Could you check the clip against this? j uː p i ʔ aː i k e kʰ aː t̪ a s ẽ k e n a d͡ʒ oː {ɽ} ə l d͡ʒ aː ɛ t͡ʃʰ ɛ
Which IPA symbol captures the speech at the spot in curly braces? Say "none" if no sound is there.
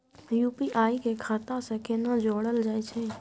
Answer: ɽ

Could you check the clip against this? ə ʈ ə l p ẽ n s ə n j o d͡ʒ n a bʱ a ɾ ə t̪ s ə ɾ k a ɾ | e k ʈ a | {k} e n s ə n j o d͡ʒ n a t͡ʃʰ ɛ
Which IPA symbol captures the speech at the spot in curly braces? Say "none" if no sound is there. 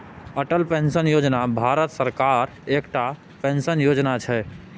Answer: p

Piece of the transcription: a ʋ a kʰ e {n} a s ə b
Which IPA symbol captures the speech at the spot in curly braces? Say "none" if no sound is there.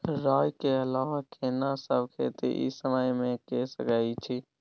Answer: n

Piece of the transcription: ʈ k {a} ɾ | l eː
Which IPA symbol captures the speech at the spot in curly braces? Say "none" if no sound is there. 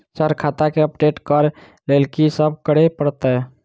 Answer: ə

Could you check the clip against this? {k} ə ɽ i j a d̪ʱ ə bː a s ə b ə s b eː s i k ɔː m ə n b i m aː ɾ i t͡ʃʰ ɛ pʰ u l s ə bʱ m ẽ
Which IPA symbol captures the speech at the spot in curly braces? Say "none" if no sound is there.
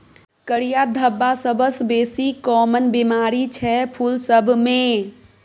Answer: k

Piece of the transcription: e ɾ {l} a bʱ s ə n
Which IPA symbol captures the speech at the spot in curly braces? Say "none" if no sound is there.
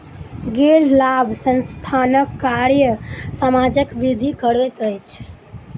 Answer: l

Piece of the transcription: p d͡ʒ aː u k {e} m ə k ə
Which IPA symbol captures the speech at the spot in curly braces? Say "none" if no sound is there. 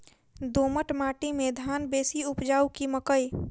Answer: i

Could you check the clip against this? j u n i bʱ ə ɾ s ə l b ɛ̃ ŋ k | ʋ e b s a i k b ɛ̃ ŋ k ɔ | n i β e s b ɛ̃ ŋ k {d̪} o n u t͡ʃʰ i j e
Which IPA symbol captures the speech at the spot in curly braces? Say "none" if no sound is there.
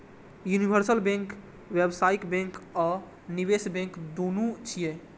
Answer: d̪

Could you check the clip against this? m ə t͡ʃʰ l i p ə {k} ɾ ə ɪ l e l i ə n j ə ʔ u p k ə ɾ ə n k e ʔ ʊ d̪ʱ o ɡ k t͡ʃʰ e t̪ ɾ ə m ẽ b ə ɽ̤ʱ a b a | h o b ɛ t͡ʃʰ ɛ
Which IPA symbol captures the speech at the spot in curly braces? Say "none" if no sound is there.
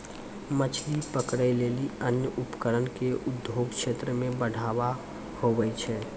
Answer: k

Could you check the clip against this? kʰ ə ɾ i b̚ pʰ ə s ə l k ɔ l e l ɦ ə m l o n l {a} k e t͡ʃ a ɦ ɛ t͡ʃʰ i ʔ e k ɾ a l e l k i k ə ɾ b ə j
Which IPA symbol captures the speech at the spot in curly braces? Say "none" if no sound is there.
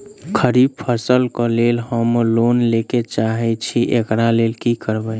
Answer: e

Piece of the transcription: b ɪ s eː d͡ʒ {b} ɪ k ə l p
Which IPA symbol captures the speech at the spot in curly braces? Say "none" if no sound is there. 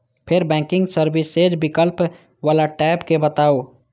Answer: b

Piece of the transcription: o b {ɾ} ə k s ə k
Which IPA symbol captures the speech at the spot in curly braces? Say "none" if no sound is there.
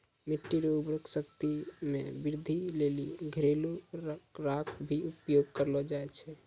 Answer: ɾ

